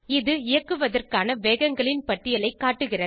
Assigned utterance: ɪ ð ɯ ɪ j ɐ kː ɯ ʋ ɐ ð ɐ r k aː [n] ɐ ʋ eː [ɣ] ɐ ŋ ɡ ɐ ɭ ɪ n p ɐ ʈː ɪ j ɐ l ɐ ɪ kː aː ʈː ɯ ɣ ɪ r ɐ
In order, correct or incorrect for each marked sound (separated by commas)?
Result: correct, correct